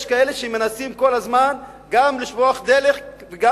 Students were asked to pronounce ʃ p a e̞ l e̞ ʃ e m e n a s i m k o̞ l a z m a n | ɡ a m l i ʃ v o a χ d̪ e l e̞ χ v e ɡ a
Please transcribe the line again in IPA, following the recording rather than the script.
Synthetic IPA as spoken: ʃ k a e̞ l e̞ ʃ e m e n a s i m k o̞ l a z m a n | ɡ a m l i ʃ v o a χ d̪ e l e̞ χ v e ɡ a

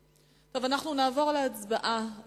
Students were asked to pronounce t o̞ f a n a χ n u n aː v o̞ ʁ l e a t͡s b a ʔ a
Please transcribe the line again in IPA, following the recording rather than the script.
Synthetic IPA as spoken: t o̞ v a n a χ n u n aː v o̞ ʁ l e a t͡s b a ʔ a

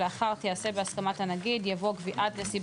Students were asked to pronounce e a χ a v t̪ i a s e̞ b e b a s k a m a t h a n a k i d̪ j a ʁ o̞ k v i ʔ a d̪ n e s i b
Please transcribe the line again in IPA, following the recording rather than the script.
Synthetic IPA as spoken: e a χ a ʁ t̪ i a s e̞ b e a s k a m a t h a n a ɡ i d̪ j a v o̞ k v i ʔ a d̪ n e s i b

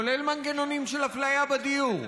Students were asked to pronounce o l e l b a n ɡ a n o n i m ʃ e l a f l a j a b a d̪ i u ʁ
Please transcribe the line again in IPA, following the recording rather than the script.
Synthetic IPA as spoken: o l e l m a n ɡ e n o n i m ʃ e l a f l a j a b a d̪ i u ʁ

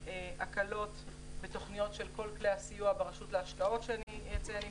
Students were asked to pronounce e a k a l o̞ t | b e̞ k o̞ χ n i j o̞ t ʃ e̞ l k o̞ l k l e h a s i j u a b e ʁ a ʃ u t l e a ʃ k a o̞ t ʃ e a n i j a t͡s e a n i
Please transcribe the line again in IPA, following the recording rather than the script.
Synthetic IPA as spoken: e a k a l o̞ t | b e̞ t o̞ χ n i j o̞ t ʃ e̞ l k o̞ l k l e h a s i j u a b e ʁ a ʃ u t l e a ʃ k a o̞ t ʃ e a n i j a t͡s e a n i

